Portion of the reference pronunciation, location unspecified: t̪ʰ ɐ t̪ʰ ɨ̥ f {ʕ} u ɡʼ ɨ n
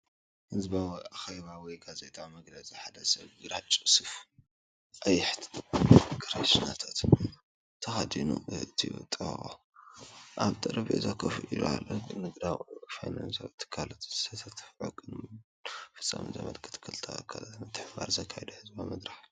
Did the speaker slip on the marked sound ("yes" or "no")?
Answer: no